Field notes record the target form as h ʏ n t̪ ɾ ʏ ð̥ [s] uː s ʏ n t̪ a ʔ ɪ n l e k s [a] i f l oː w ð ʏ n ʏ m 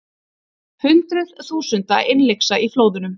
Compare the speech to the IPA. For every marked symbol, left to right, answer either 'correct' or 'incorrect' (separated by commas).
incorrect, correct